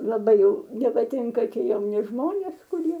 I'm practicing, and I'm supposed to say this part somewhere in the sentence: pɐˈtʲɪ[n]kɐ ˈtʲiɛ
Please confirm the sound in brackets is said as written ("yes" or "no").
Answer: no